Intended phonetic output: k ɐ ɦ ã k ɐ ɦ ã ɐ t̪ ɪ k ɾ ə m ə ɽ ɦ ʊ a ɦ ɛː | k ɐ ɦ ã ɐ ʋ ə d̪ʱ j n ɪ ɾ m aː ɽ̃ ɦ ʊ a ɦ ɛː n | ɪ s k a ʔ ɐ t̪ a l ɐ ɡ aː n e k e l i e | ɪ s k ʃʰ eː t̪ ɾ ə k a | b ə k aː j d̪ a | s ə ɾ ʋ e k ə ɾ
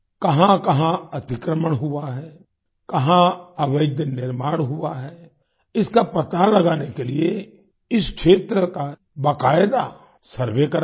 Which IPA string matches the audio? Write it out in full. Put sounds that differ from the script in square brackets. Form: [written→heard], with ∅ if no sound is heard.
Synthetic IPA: k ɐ ɦ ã k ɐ ɦ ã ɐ t̪ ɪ k ɾ ə m ə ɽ ɦ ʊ a ɦ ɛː | k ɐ ɦ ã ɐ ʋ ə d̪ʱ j n ɪ ɾ m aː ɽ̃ ɦ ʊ a ɦ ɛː [n→∅] | ɪ s k a [ʔ→p] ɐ t̪ a l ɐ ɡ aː n e k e l i e | ɪ s k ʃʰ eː t̪ ɾ ə k a | b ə k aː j d̪ a | s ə ɾ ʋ e k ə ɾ